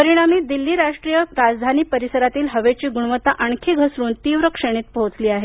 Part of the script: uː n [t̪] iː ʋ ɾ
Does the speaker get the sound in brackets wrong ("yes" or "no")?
no